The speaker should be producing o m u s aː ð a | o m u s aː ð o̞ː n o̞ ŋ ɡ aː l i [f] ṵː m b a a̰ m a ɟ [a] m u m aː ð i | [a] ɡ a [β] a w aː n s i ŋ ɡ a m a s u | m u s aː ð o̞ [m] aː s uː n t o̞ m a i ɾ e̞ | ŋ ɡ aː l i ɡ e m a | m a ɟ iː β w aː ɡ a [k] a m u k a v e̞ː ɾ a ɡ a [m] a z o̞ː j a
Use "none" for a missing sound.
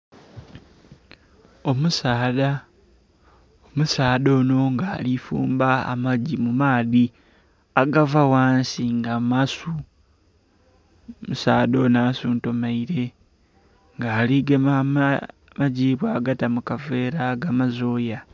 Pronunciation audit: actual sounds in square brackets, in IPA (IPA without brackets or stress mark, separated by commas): f, i, a, v, n, t, m